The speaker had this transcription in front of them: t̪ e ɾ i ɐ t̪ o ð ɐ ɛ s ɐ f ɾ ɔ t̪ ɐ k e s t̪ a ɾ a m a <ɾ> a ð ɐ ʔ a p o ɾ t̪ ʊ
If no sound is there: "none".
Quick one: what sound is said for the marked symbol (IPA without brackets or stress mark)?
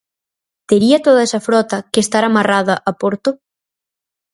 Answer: r